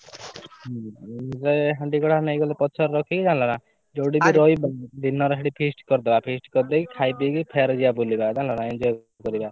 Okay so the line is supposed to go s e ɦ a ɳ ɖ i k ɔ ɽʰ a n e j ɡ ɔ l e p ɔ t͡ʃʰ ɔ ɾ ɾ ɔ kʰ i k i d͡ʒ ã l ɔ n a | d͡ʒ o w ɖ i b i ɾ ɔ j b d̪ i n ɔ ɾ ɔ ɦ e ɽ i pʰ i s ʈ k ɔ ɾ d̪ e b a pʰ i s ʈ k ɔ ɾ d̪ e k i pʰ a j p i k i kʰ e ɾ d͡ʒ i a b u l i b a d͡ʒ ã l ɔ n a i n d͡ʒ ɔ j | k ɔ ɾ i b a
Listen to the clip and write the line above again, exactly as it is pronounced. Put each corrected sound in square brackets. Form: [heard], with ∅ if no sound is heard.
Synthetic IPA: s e ɦ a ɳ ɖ i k ɔ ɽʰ a n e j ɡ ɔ l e p ɔ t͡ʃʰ ɔ ɾ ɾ ɔ kʰ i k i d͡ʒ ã l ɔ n a | d͡ʒ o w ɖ i b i ɾ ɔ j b d̪ i n ɔ ɾ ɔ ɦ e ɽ i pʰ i s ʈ k ɔ ɾ d̪ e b a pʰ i s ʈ k ɔ ɾ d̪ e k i [kʰ] a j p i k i [pʰ] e ɾ d͡ʒ i a b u l i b a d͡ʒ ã l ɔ n a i n d͡ʒ ɔ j | k ɔ ɾ i b a